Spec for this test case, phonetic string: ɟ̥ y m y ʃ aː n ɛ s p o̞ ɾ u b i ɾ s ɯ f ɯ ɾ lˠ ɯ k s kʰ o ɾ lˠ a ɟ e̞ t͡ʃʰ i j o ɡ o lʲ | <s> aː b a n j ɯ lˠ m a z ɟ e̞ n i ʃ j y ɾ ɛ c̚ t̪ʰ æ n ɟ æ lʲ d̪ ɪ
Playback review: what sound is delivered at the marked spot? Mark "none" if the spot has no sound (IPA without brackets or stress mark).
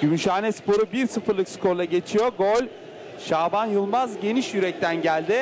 ʃ